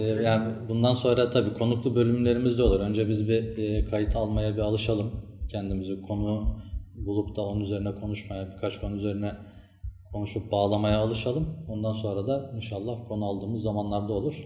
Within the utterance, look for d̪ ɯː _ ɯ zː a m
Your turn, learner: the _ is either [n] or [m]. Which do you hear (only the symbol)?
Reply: m